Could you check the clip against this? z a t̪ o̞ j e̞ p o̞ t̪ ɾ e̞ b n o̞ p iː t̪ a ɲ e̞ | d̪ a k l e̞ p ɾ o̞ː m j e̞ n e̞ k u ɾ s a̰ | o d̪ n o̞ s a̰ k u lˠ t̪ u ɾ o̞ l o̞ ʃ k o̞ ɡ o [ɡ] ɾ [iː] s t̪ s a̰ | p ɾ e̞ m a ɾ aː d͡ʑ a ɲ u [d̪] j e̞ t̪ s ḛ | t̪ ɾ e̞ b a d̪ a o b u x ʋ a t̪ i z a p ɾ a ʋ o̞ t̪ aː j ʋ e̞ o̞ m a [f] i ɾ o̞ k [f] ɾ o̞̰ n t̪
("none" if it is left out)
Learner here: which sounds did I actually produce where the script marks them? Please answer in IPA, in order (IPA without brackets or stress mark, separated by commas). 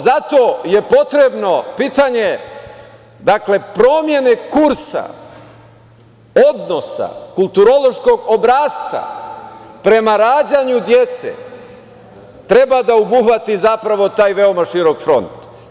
b, aː, d̪, ʃ, f